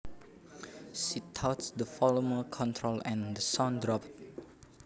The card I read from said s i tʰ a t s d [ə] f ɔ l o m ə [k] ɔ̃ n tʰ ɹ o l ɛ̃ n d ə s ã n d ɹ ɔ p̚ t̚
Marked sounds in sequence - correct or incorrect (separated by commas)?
correct, incorrect